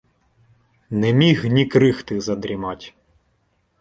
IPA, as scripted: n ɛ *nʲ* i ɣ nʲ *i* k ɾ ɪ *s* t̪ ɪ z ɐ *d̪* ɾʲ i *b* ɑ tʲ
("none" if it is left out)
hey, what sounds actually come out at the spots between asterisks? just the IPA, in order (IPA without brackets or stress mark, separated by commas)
mʲ, i, x, d̪, m